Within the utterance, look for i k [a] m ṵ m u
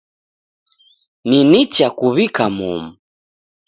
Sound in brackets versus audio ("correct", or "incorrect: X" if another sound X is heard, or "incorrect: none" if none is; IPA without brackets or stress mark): correct